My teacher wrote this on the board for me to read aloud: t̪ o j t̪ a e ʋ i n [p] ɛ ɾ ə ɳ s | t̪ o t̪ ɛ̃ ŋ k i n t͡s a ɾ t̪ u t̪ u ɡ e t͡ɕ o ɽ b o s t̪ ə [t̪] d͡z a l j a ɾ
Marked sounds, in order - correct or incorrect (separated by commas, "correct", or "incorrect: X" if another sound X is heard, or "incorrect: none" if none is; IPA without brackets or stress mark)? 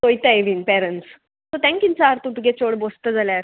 correct, incorrect: none